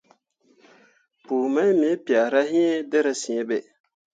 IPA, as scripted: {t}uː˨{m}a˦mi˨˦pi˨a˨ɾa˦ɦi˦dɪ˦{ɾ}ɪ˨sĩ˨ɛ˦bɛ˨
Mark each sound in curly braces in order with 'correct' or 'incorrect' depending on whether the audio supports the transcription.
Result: incorrect, correct, correct

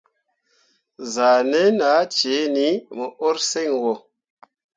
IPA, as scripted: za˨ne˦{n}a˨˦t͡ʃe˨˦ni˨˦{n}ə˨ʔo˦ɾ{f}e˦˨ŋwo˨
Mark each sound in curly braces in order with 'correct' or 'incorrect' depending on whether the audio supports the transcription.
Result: correct, incorrect, incorrect

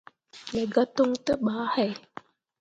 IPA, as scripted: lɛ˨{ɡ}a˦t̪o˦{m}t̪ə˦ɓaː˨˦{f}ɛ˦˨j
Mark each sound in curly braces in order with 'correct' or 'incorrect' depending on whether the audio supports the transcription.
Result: correct, incorrect, incorrect

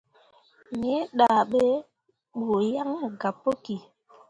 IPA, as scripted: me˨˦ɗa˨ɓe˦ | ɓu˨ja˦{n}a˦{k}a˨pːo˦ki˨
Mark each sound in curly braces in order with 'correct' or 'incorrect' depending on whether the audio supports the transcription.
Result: incorrect, incorrect

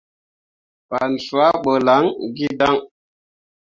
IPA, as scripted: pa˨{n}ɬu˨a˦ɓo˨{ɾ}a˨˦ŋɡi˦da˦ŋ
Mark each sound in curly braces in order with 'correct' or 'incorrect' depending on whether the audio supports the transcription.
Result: correct, incorrect

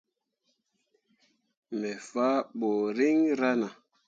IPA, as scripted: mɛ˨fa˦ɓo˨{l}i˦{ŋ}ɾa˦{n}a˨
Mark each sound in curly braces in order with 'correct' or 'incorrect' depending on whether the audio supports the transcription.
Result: incorrect, correct, correct

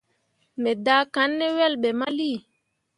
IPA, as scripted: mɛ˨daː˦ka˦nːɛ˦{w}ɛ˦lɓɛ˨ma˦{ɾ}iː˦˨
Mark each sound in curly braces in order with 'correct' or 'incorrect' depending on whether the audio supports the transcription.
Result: correct, incorrect

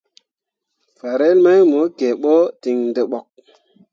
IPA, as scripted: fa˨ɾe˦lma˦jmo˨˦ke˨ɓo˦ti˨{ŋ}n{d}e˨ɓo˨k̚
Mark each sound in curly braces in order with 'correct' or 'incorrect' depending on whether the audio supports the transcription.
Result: correct, correct

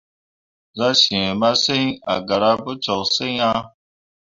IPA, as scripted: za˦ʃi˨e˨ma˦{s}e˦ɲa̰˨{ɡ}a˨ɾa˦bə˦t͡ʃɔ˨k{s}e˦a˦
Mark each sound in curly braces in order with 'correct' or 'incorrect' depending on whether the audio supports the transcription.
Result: correct, correct, correct

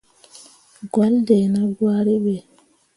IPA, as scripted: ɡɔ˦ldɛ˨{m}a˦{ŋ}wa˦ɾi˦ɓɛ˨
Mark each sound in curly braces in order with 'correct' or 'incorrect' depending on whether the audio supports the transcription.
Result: incorrect, incorrect

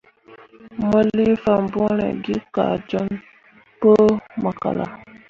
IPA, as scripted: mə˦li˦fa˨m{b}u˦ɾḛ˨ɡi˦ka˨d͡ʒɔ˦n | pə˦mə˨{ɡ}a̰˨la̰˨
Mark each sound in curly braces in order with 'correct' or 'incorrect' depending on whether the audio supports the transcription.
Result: correct, incorrect

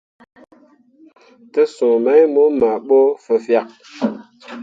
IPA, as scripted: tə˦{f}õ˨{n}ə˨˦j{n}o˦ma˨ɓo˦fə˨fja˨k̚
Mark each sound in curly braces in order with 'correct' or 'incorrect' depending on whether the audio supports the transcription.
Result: incorrect, incorrect, incorrect

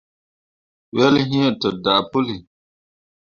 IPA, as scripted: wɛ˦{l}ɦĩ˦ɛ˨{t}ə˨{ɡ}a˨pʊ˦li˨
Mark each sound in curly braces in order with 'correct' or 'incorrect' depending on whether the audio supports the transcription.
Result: correct, correct, incorrect

